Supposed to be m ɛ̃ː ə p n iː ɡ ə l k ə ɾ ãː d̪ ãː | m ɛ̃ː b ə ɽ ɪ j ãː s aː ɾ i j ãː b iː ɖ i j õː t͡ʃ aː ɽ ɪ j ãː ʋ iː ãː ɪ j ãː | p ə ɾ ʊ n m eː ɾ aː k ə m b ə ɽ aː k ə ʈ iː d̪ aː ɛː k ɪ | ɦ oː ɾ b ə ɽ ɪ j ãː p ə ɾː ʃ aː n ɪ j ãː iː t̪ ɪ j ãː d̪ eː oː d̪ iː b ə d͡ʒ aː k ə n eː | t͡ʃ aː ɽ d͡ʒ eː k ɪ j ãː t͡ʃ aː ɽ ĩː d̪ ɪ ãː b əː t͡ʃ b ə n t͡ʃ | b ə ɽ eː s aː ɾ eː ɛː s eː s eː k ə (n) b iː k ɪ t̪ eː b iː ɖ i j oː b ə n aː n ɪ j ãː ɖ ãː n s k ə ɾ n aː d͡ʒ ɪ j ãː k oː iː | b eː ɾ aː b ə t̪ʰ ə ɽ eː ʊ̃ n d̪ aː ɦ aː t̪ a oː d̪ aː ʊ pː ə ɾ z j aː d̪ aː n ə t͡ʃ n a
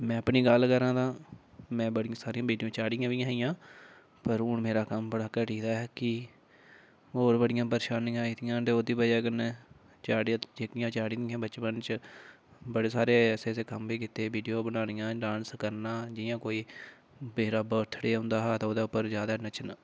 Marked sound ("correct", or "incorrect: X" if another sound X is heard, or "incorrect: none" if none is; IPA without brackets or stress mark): incorrect: m